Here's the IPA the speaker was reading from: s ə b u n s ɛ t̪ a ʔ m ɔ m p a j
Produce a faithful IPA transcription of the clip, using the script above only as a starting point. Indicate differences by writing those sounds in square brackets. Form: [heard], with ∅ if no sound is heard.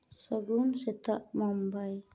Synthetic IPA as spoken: s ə [ɡ] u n s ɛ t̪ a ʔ m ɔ m [b] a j